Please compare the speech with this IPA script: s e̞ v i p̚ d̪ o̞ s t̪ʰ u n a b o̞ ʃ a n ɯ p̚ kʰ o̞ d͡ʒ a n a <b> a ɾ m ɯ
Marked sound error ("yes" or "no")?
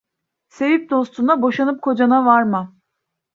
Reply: yes